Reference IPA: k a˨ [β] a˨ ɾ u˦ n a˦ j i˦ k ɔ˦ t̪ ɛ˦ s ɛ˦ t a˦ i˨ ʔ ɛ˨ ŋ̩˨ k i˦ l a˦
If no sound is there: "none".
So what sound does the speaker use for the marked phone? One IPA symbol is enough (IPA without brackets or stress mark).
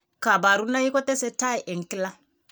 b